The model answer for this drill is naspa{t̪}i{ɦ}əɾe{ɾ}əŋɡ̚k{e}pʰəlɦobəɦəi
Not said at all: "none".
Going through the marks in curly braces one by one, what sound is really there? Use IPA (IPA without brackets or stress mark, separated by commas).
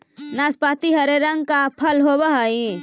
t̪, ɦ, ɾ, a